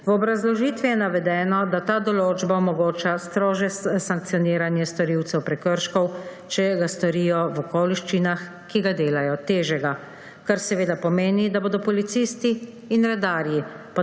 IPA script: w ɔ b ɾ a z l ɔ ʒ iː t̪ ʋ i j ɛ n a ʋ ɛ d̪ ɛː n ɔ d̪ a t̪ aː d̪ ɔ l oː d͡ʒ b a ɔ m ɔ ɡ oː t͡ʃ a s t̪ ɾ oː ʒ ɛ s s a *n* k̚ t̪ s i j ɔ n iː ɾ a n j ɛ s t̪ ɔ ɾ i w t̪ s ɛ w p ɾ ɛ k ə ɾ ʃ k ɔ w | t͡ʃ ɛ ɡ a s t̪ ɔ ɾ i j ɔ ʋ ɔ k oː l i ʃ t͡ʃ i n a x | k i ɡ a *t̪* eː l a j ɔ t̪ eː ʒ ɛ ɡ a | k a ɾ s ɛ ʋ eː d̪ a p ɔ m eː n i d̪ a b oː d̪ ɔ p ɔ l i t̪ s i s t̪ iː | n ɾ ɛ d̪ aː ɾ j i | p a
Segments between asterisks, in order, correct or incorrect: incorrect, incorrect

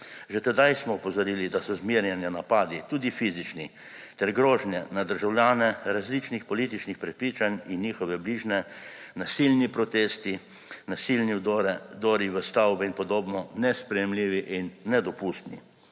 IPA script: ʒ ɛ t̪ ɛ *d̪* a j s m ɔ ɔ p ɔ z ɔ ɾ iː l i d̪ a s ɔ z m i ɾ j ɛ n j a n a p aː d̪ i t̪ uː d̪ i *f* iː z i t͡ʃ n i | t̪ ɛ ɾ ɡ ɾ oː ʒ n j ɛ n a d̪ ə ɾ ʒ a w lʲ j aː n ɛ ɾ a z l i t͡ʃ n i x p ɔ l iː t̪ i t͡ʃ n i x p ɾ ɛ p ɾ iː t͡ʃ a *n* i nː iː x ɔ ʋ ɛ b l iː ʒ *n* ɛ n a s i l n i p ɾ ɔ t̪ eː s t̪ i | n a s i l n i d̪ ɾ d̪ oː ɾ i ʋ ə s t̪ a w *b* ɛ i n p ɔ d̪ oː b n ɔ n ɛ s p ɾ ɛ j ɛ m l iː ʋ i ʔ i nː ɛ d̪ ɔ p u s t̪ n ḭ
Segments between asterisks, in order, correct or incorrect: correct, correct, correct, correct, correct

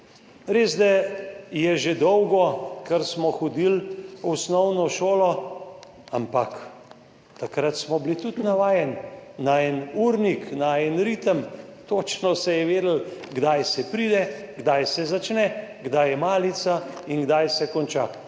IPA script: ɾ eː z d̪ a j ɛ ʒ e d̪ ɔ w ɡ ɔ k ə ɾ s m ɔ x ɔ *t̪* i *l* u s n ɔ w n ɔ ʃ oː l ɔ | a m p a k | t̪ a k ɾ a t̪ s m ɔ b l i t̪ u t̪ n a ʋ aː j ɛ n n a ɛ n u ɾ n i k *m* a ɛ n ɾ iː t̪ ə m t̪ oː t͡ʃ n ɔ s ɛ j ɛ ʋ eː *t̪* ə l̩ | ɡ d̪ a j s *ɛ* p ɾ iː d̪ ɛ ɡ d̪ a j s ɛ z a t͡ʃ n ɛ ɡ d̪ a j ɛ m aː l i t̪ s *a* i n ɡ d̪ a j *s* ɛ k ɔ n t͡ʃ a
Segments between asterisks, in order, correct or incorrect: incorrect, correct, incorrect, incorrect, correct, correct, correct

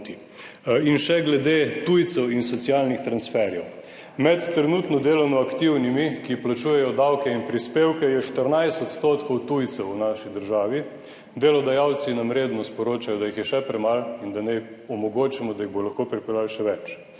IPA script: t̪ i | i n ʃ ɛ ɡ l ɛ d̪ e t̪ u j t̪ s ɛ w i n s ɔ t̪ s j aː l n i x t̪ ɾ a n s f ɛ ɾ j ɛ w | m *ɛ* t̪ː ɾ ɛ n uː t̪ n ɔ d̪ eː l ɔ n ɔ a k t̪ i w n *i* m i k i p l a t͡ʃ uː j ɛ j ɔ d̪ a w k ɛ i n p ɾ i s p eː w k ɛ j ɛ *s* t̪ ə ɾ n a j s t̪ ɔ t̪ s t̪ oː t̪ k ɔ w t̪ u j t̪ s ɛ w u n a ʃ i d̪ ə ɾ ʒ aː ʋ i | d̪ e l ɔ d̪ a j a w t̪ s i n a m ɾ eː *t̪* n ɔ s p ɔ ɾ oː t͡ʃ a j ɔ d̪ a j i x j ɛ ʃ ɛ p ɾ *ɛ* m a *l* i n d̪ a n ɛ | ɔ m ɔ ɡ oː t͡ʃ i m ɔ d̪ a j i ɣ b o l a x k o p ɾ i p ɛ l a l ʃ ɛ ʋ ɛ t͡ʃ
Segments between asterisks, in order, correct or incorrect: correct, correct, incorrect, incorrect, correct, correct

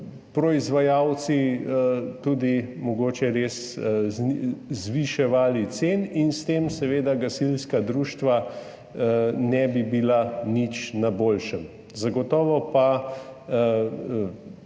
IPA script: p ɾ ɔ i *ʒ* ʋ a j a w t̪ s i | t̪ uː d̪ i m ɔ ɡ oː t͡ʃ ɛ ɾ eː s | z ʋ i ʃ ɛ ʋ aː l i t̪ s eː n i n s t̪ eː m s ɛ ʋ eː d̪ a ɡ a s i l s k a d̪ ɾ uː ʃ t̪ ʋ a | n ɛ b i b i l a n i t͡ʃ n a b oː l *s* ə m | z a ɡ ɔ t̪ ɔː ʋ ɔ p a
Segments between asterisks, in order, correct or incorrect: incorrect, incorrect

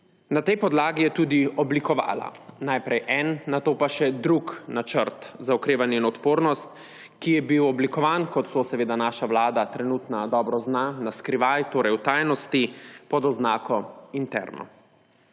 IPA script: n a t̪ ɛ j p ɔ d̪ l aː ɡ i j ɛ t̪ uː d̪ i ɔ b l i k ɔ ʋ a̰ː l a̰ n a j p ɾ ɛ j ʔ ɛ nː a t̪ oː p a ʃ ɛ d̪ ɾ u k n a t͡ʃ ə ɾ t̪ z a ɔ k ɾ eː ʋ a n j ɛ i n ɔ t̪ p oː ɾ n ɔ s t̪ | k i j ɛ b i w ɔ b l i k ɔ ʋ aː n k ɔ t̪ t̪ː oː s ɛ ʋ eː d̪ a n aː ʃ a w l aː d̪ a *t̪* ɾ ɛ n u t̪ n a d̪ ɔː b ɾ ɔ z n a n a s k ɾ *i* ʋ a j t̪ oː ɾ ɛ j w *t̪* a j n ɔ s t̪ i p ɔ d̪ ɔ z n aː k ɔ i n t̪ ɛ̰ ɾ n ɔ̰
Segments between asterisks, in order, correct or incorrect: correct, correct, correct

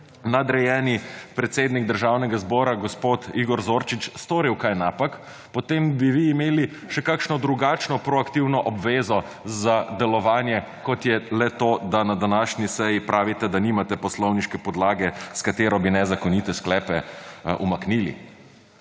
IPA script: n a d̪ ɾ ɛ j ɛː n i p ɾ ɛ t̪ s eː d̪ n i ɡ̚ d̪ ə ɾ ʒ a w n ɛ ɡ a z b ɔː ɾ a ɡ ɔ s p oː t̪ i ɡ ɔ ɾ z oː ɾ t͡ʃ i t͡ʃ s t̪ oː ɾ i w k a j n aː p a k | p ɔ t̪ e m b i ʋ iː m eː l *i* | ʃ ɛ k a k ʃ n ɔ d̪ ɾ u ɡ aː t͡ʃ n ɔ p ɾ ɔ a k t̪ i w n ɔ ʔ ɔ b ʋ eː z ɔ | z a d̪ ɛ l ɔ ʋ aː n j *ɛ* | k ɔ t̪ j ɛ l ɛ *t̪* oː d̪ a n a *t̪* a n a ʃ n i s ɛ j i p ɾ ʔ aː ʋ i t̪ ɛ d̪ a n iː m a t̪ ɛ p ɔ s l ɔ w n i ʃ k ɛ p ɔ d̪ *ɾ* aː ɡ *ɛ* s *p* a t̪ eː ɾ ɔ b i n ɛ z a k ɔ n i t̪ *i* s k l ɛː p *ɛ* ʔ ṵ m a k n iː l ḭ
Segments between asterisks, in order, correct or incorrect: correct, correct, correct, incorrect, incorrect, correct, incorrect, incorrect, correct

